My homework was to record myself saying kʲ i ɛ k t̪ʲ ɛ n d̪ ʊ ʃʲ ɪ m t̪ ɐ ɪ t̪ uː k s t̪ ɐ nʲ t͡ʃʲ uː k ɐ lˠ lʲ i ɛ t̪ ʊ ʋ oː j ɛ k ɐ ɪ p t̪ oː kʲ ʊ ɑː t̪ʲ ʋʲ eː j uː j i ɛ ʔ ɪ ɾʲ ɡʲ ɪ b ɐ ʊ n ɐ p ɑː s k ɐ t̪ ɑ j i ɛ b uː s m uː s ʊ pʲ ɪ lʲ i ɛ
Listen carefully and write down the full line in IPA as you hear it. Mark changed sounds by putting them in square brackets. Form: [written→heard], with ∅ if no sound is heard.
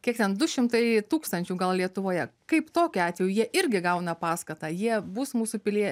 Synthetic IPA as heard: kʲ i ɛ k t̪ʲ ɛ n d̪ ʊ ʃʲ ɪ m t̪ ɐ ɪ t̪ uː k s t̪ ɐ nʲ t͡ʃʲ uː [k→ɡ] ɐ lˠ lʲ i ɛ t̪ ʊ ʋ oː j ɛ k ɐ ɪ p t̪ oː kʲ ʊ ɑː t̪ʲ ʋʲ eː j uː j i ɛ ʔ ɪ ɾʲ ɡʲ ɪ [b→ɡ] ɐ ʊ n ɐ p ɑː s k ɐ t̪ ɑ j i ɛ b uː s m uː s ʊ pʲ ɪ lʲ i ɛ